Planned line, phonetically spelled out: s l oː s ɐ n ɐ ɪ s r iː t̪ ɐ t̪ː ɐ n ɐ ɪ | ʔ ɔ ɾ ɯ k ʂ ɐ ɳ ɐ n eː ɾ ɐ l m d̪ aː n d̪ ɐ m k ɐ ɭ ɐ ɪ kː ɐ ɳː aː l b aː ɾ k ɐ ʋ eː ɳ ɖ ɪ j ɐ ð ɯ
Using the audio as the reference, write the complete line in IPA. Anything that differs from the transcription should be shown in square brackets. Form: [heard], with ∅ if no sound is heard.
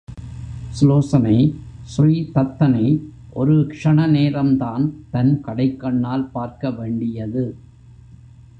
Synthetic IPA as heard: s l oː s ɐ n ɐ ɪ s r iː t̪ ɐ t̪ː ɐ n ɐ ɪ | ʔ ɔ ɾ ɯ k ʂ ɐ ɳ ɐ n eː ɾ ɐ [∅] m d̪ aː n [t̪] ɐ [n] k ɐ [ɽ] ɐ ɪ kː ɐ ɳː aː l [p] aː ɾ k ɐ ʋ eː ɳ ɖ ɪ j ɐ ð ɯ